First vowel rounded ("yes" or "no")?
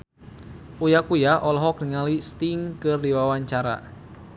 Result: yes